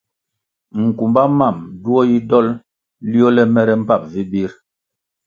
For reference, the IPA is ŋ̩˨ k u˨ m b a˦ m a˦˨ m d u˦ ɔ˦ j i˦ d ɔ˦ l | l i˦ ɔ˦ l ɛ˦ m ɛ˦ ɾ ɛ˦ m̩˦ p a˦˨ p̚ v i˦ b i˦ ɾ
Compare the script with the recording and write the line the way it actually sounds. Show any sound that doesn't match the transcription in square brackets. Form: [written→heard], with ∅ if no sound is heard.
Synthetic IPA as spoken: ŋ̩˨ k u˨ m b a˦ m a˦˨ m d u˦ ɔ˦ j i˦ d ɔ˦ l | l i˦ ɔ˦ l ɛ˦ m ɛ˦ ɾ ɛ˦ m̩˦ p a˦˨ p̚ v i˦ b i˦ ɾ

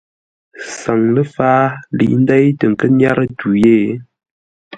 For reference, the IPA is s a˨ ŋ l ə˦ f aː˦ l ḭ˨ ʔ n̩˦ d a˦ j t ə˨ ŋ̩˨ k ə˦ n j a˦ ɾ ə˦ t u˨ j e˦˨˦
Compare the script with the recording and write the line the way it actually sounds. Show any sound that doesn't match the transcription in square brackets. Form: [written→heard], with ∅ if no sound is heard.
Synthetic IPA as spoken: s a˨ ŋ l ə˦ f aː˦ l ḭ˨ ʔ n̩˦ d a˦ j t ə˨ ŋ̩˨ k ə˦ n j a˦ ɾ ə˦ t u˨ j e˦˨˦

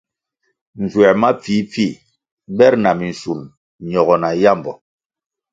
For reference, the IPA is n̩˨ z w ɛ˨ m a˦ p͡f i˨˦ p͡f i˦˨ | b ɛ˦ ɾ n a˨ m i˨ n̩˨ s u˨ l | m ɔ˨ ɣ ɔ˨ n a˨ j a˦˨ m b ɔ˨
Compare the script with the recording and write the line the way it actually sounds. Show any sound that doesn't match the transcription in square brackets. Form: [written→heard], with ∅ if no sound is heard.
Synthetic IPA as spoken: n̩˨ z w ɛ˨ m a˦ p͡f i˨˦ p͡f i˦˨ | b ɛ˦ ɾ n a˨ m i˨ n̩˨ s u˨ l | [m→ɲ] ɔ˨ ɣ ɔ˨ n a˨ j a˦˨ m b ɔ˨

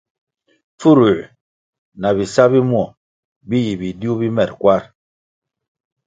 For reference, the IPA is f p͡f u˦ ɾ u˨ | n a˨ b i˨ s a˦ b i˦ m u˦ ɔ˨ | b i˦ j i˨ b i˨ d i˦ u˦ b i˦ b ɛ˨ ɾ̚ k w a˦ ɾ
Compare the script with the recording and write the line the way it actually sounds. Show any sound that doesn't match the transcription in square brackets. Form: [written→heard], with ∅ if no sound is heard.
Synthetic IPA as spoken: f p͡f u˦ ɾ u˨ | n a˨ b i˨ s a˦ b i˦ m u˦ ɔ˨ | b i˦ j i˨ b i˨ d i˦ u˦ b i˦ [b→m] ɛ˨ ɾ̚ k w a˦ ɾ

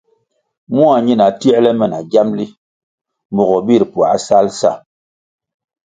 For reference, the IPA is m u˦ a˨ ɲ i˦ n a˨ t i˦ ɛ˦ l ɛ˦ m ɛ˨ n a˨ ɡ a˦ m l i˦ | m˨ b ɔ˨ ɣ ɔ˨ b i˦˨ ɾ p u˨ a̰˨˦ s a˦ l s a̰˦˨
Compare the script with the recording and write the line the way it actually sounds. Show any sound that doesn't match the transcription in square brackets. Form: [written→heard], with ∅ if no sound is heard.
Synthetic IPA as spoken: m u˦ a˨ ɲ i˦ n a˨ t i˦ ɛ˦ l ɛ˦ m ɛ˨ n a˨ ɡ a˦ m l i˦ | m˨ b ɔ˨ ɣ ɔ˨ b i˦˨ ɾ p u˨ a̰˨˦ s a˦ l s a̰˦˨

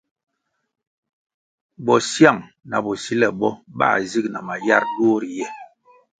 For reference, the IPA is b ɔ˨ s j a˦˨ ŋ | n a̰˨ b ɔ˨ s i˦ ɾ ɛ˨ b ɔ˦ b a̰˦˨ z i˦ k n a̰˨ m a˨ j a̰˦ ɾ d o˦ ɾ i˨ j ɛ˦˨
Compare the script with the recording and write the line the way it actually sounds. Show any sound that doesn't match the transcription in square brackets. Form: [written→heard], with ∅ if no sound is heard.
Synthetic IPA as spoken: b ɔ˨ s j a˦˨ ŋ | n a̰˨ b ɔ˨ s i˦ [ɾ→l] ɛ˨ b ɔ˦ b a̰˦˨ z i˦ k n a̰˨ m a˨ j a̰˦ ɾ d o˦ ɾ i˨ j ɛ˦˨

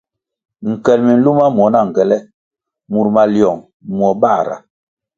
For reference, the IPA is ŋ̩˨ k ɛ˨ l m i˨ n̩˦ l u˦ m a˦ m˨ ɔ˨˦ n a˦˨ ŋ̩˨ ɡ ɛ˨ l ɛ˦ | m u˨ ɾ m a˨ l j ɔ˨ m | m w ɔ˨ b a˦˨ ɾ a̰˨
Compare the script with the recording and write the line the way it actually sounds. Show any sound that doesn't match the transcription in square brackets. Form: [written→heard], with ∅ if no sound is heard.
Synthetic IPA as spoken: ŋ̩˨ k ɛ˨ l m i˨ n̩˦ l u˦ m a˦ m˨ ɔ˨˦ n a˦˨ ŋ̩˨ ɡ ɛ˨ l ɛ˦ | m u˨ ɾ m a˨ l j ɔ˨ [m→ŋ] | m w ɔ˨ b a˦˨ ɾ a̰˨

